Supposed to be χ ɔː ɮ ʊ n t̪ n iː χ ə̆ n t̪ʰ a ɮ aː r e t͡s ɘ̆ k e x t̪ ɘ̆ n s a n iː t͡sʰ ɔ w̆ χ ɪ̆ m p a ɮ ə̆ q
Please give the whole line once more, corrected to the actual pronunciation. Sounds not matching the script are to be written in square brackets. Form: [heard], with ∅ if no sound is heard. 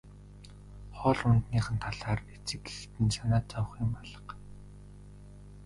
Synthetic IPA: χ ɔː ɮ ʊ n t̪ n iː χ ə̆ n t̪ʰ a ɮ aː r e t͡s ɘ̆ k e x t̪ ɘ̆ n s a n [aː] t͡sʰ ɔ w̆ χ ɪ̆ m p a ɮ ə̆ q